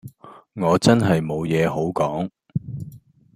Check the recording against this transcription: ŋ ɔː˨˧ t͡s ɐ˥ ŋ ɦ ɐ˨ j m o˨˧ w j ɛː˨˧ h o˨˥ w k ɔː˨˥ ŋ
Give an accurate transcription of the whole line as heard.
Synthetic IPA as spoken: ŋ ɔː˨˧ t͡s ɐ˥ n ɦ ɐ˨ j m o˨˧ w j ɛː˨˧ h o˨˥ w k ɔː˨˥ ŋ